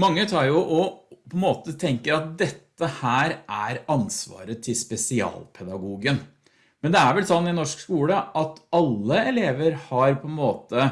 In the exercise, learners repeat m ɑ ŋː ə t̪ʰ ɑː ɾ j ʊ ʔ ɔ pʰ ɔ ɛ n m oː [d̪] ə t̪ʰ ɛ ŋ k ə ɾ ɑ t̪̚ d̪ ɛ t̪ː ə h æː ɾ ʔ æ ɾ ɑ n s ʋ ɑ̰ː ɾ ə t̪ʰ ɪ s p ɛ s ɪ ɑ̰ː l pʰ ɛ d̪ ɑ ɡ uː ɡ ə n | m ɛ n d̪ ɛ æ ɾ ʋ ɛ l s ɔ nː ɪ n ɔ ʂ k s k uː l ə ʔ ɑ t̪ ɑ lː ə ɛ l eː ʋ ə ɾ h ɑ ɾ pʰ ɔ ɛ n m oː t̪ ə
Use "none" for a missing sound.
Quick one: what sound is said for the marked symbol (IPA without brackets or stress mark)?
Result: t̪